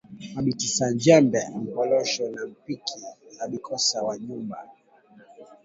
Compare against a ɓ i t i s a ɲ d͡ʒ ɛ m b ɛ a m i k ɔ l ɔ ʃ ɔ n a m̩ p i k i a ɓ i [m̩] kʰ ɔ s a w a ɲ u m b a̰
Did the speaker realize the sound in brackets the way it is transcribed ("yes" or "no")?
no